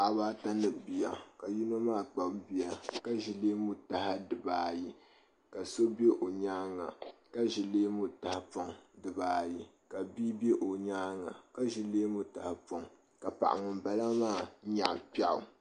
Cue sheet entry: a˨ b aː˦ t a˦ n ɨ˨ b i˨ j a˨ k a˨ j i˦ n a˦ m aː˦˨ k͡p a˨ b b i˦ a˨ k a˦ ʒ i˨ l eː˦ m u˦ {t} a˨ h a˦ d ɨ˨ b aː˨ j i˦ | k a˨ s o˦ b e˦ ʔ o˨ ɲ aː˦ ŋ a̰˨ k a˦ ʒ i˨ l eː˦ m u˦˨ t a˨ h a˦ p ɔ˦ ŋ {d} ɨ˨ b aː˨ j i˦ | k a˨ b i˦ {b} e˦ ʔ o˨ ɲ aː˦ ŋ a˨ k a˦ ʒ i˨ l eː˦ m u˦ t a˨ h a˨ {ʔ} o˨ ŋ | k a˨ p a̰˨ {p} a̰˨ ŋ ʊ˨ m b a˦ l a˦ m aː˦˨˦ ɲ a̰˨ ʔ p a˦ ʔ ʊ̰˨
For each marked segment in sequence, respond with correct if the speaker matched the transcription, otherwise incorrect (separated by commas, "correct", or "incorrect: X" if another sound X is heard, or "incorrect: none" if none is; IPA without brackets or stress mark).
correct, correct, correct, incorrect: p, incorrect: ʔ